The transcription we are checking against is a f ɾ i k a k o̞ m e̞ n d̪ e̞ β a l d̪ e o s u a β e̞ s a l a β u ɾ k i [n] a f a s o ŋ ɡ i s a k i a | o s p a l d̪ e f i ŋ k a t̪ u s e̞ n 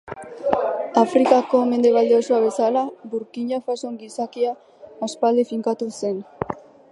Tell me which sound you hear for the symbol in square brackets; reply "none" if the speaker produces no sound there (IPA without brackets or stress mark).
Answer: ɲ